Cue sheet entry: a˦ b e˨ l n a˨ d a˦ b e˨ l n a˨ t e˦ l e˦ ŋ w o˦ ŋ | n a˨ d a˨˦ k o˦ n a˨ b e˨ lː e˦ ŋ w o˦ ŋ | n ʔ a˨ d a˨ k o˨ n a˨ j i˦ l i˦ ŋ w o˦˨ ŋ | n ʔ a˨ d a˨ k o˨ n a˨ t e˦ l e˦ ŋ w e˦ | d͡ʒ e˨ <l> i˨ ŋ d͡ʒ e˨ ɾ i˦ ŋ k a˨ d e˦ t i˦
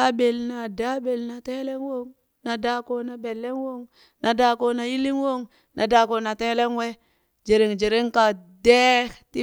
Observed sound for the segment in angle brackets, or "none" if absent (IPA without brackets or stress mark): ɾ